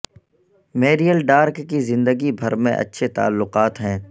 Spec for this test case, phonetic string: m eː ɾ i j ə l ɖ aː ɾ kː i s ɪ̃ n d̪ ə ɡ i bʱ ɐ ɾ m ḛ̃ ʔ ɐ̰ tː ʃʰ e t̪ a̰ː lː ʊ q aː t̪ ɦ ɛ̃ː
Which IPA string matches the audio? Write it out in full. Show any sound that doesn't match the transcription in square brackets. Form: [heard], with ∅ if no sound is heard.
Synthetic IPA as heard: m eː ɾ i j ə l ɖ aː ɾ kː i [z] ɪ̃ n d̪ ə ɡ i bʱ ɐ ɾ m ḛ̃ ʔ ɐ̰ tː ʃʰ e t̪ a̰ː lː ʊ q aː t̪ ɦ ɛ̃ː